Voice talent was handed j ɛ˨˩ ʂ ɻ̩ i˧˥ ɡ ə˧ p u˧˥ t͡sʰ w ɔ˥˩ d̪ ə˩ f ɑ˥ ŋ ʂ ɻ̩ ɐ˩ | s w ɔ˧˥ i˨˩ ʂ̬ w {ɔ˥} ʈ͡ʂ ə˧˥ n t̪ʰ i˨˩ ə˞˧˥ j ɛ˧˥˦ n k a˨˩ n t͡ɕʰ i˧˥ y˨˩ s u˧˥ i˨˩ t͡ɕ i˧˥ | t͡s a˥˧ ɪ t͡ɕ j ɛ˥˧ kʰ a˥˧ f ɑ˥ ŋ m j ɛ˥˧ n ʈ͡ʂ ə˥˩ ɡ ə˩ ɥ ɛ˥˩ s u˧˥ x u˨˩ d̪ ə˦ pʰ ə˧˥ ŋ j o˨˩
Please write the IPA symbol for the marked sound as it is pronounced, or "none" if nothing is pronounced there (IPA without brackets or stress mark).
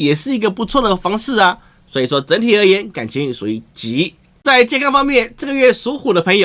ɔ˥